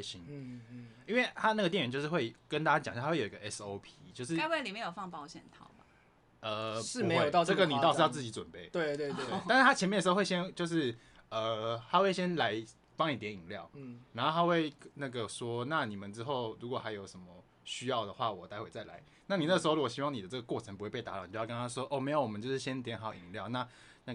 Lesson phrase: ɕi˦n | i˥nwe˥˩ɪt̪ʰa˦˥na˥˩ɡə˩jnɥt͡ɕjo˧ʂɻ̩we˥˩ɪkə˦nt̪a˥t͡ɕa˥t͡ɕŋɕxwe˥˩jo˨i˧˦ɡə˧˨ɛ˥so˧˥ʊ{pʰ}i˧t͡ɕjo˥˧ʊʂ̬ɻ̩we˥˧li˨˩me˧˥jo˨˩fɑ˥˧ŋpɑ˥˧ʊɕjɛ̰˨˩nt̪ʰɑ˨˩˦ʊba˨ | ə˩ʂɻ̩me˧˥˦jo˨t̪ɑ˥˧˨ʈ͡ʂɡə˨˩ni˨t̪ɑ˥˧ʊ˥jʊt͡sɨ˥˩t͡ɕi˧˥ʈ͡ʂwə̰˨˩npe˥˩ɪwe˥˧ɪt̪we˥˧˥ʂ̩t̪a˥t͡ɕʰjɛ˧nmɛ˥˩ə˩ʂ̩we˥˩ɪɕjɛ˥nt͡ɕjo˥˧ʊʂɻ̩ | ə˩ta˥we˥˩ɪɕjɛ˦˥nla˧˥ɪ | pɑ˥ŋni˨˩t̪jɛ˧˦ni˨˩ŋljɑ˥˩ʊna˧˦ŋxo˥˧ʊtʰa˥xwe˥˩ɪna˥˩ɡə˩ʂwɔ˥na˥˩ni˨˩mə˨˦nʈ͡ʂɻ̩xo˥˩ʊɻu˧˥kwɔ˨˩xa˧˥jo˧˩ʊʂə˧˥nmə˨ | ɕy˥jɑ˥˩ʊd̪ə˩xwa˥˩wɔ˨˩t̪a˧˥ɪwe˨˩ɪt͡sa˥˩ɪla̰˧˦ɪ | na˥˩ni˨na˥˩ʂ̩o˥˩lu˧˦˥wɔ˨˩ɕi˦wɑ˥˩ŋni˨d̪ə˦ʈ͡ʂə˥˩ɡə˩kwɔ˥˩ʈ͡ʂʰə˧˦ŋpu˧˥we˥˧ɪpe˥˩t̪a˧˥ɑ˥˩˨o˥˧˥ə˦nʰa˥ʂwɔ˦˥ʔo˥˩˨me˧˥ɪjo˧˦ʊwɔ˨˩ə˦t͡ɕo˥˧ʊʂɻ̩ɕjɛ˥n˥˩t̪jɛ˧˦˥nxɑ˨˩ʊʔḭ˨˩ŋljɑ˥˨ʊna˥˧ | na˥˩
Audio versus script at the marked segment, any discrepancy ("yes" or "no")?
no